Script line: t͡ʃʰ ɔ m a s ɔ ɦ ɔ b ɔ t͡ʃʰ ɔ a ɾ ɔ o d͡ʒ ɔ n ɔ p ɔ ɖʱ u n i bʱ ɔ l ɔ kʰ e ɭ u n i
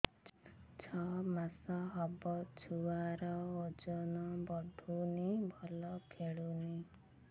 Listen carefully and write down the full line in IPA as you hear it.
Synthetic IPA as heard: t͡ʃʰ ɔ m a s ɔ ɦ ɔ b ɔ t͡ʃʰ u a ɾ ɔ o d͡ʒ ɔ n ɔ b ɔ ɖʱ u n i bʱ ɔ l ɔ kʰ e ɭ u n i